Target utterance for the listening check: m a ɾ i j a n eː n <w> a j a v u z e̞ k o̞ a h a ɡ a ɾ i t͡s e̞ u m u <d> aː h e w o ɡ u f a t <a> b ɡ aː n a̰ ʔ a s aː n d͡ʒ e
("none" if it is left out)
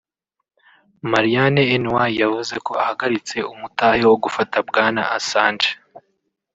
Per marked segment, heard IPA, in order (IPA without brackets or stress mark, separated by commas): w, t, a